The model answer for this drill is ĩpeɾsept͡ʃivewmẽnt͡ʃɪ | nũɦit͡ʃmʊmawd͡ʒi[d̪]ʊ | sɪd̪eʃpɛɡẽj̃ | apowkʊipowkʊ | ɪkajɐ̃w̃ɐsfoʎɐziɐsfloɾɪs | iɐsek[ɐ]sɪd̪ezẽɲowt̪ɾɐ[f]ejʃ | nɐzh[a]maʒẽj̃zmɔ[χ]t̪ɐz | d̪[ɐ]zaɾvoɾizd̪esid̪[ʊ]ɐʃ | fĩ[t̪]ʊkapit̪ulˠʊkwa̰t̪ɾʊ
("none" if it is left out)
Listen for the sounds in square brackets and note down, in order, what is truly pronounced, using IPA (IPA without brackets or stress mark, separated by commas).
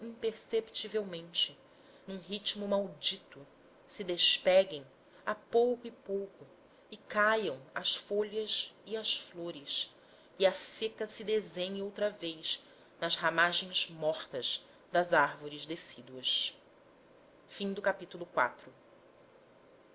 t̪, ɐ, v, a, χ, ɐ, u, d̪